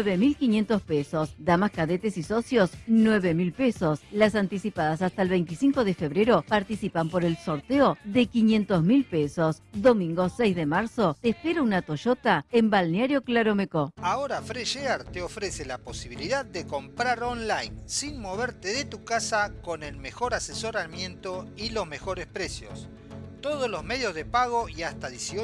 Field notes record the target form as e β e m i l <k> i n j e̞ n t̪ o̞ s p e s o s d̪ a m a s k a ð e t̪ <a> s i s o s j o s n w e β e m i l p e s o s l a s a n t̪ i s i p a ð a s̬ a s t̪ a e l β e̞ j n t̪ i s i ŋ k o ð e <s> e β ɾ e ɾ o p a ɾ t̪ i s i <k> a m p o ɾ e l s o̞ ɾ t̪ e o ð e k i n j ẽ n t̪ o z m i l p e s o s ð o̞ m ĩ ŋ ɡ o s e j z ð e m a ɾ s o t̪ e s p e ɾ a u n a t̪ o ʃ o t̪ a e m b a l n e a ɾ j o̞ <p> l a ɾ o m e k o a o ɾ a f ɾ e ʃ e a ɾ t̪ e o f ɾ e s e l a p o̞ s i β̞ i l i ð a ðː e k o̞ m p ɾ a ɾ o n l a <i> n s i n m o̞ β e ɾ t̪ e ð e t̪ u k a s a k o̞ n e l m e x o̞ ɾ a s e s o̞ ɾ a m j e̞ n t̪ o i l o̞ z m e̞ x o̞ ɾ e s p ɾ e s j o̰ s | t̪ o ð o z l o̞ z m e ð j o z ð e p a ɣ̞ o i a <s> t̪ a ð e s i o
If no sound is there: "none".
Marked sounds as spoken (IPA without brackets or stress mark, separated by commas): k, e, f, p, k, j, s